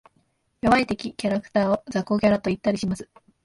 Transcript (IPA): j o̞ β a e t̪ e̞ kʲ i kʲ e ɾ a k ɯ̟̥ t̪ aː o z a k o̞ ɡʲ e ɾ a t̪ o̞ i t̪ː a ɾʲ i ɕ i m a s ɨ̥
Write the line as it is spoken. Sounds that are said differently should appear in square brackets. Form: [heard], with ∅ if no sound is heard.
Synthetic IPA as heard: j o̞ β a [i] t̪ e̞ kʲ i kʲ [a] ɾ a k ɯ̟̥ t̪ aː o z a k o̞ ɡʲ [a] ɾ a t̪ o̞ i t̪ː a ɾʲ i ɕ i m a s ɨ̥